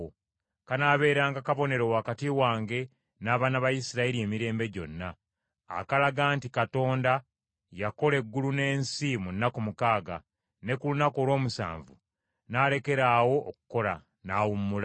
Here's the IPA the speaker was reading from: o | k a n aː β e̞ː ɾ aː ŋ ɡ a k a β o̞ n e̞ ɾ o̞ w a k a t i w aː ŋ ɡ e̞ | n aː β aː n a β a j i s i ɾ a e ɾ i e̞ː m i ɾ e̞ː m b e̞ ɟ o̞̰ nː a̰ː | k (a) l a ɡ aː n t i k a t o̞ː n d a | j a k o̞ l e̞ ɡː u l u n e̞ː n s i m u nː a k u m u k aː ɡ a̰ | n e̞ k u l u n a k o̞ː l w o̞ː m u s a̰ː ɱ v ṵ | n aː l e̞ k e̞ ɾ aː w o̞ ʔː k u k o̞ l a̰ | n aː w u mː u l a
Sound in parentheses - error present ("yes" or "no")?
no